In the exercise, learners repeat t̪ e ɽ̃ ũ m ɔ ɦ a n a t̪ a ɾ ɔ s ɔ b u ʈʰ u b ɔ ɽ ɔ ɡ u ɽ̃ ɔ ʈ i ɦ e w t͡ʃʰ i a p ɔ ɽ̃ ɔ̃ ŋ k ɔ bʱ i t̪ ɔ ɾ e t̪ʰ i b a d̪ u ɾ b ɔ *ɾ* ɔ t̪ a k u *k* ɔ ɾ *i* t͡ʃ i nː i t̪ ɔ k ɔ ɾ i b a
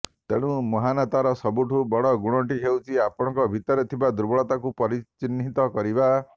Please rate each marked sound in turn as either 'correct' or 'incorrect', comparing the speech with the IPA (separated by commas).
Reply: incorrect, incorrect, correct